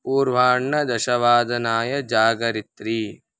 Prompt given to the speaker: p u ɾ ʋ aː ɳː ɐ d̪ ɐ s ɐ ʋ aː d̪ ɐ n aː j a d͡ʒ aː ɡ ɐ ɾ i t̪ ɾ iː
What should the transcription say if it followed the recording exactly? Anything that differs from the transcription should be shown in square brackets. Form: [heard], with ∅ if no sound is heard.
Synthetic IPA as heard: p [uː] ɾ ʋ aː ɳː ɐ d̪ ɐ [ʃ] ɐ ʋ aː d̪ ɐ n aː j [ɐ] d͡ʒ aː ɡ ɐ ɾ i t̪ ɾ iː